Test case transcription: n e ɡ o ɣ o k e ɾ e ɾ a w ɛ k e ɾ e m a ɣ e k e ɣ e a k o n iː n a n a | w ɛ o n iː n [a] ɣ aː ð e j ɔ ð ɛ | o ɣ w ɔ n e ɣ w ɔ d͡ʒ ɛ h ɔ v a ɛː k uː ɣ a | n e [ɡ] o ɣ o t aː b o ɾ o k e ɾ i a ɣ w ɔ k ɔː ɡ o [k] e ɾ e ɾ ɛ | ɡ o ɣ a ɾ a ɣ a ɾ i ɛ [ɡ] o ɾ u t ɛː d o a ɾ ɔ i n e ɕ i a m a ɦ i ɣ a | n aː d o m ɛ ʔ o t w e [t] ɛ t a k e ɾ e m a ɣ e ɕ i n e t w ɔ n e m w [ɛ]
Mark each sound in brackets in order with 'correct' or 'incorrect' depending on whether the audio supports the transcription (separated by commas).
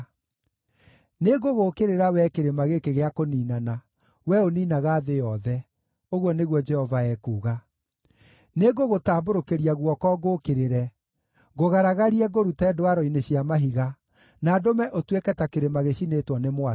correct, correct, correct, correct, incorrect, incorrect